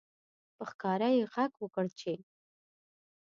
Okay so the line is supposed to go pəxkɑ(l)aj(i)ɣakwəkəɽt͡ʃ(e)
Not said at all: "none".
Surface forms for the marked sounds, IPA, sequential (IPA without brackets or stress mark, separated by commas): ɾ, e, e